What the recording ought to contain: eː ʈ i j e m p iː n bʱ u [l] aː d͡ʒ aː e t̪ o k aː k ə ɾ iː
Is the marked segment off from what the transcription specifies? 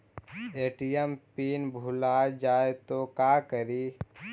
no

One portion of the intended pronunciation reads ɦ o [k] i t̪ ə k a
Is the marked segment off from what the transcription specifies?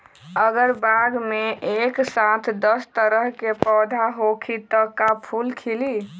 yes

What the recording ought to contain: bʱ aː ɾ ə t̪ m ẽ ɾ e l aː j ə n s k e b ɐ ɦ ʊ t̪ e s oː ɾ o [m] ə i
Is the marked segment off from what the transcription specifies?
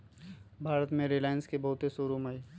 no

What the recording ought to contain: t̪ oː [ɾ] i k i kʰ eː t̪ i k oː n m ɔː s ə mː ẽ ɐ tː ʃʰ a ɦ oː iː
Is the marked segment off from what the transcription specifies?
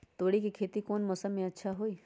yes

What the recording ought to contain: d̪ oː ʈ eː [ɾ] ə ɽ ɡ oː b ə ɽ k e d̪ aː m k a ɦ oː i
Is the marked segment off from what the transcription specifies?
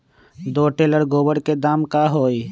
yes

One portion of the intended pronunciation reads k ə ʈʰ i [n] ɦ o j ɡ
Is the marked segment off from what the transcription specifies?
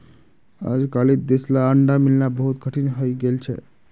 no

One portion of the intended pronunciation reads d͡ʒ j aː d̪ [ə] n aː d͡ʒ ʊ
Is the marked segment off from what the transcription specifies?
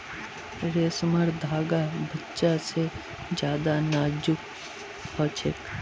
yes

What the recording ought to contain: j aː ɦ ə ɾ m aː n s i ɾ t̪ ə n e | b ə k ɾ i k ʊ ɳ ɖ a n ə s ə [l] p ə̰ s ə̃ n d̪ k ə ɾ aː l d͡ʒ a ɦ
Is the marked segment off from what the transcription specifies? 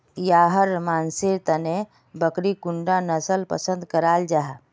no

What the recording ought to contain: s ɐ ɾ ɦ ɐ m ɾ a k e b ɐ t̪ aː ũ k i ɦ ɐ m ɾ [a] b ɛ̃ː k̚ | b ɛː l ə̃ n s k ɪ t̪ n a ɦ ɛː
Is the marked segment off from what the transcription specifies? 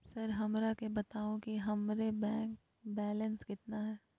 yes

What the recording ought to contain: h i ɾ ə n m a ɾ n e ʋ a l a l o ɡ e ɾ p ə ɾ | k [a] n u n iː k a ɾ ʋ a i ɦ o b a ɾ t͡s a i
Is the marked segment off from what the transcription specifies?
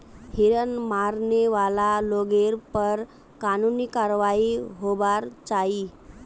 no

